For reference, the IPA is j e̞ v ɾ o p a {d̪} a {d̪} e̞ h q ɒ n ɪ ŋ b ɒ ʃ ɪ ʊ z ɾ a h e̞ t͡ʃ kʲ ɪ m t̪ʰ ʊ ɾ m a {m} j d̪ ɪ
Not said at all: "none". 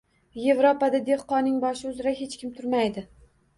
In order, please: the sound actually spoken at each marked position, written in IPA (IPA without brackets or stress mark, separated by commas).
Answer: d̪, d̪, none